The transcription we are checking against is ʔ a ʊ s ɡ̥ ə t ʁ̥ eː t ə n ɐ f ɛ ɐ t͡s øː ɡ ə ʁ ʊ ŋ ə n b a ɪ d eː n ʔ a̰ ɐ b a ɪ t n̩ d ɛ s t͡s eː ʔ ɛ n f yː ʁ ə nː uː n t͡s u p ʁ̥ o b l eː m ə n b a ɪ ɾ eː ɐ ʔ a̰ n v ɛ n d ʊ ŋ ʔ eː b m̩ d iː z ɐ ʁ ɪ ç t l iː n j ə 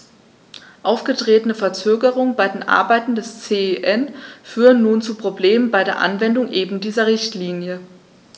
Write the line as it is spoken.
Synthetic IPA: ʔ a ʊ f ɡ̥ ə t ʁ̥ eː t ə n ə f ɛ ɐ t͡s øː ɡ ə ʁ ʊ ŋ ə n b a ɪ d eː n ʔ a̰ ɐ b a ɪ t n̩ d ɛ s t͡s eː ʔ ɛ n f yː ʁ ə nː uː n t͡s u p ʁ̥ o b l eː m ə n b a ɪ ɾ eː ɐ ʔ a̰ n v ɛ n d ʊ ŋ ʔ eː b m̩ d iː z ɐ ʁ ɪ ç t l iː n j ə